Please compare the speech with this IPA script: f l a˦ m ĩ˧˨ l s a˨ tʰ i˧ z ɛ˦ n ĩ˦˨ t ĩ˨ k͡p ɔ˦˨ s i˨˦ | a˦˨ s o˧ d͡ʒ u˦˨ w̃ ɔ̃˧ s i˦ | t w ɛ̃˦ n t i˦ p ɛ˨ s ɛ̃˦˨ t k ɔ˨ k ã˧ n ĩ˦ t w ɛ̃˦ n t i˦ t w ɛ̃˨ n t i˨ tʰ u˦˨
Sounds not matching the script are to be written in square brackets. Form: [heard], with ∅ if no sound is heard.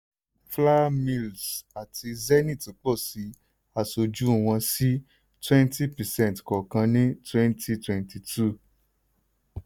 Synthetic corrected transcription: f l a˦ m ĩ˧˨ l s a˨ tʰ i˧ z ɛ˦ n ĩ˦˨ t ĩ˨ k͡p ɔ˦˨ s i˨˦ | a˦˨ s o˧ d͡ʒ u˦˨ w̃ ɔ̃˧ s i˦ | t w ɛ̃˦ n t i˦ p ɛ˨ s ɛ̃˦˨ t k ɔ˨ k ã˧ n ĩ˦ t w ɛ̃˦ n t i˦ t w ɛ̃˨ n t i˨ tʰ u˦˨